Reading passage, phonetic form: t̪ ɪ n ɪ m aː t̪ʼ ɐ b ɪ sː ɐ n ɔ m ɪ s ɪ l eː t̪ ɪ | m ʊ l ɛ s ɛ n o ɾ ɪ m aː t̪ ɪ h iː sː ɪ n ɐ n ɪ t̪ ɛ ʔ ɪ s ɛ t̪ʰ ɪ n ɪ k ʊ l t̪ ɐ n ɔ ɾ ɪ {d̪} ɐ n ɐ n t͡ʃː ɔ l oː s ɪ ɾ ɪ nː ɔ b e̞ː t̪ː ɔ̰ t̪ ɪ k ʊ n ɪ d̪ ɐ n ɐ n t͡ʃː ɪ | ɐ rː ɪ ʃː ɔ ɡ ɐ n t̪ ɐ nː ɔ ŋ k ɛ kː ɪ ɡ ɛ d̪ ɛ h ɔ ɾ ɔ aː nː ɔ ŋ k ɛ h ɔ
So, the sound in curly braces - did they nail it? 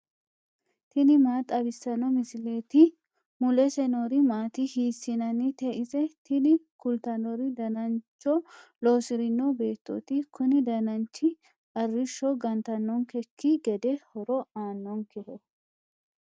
yes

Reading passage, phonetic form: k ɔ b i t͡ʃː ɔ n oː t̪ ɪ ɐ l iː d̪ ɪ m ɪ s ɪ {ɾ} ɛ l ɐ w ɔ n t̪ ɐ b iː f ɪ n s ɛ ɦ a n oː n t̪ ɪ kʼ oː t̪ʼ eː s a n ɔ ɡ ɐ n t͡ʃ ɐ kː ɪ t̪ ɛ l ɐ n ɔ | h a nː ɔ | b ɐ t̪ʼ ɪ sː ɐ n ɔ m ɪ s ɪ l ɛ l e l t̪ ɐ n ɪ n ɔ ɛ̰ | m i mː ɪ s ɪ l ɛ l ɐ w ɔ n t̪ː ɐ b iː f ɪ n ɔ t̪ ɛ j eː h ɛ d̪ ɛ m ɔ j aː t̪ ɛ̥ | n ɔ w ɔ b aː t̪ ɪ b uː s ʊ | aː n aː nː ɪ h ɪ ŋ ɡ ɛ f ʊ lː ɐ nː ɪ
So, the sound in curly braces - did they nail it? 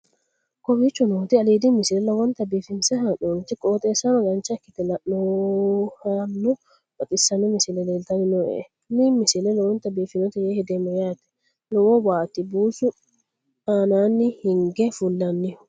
no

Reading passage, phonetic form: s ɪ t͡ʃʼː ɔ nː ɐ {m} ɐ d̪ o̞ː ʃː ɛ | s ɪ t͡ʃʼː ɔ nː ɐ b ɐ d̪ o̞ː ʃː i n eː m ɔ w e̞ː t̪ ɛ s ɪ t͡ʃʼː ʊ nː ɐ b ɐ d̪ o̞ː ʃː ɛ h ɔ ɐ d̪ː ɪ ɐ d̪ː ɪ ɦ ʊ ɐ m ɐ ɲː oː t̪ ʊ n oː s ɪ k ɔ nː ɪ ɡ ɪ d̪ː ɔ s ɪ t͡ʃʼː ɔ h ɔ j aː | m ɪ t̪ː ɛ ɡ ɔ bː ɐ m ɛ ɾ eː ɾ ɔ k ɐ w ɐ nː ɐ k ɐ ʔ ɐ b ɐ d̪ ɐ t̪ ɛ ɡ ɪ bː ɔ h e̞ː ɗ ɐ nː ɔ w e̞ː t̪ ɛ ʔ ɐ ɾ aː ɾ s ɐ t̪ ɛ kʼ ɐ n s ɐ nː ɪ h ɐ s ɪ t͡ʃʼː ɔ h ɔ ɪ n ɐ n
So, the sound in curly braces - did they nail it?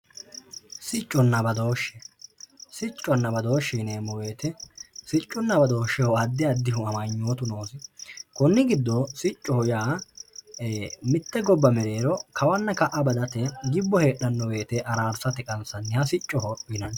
no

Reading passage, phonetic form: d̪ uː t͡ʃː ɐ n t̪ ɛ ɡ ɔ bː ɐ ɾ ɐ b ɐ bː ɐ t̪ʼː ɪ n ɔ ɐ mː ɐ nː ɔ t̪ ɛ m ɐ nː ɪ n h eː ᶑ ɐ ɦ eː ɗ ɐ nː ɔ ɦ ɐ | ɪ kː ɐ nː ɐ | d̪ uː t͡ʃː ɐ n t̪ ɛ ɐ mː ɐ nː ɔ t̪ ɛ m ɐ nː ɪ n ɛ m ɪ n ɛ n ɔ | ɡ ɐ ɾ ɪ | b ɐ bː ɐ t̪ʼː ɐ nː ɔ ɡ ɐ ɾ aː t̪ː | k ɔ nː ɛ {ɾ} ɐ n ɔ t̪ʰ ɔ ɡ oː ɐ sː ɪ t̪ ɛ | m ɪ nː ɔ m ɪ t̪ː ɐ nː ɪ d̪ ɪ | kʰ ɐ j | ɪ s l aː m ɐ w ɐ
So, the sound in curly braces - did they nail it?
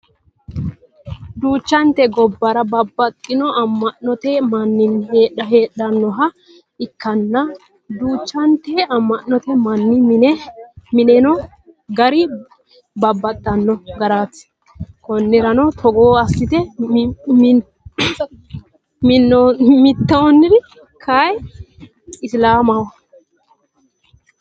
yes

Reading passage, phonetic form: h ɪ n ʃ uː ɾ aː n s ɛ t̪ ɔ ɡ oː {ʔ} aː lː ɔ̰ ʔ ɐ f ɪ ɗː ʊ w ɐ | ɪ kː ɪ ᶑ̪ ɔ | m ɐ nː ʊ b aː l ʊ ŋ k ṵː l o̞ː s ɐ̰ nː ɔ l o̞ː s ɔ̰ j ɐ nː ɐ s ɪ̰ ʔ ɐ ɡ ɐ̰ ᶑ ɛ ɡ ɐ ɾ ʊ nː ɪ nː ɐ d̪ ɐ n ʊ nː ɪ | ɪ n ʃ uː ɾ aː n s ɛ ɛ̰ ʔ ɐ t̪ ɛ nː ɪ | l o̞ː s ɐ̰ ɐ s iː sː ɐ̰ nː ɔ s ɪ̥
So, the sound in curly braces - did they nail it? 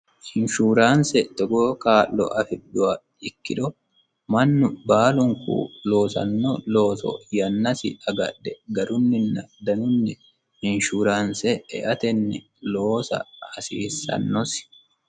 no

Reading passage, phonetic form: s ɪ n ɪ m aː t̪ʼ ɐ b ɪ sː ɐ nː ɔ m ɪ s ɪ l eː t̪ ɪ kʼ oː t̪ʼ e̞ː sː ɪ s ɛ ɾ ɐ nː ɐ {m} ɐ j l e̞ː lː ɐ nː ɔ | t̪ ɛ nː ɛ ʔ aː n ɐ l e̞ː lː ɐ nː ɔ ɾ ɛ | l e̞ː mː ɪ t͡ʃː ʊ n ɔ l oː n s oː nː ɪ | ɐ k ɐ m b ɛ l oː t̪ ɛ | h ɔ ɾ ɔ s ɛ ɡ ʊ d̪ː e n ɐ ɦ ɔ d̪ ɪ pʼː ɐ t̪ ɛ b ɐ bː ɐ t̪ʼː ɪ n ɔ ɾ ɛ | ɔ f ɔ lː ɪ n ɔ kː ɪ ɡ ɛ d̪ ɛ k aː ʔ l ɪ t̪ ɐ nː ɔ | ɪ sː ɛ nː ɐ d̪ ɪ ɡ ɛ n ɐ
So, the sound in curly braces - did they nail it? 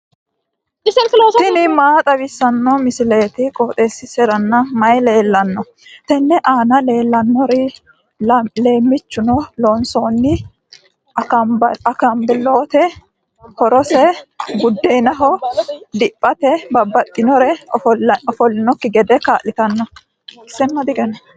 yes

